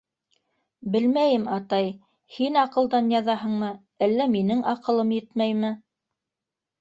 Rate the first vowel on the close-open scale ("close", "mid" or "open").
mid